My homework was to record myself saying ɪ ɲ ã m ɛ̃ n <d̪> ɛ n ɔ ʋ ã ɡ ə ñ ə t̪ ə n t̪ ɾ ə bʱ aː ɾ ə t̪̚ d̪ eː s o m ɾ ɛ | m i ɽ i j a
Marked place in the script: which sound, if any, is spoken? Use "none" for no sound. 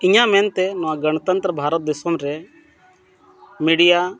t̪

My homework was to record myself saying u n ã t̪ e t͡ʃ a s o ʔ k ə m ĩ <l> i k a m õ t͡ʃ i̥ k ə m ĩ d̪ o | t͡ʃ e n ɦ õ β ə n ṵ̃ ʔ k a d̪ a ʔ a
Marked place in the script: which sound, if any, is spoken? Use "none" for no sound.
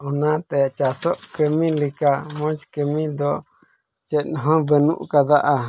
l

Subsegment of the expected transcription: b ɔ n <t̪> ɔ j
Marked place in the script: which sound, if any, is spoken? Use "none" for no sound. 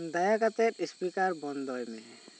d̪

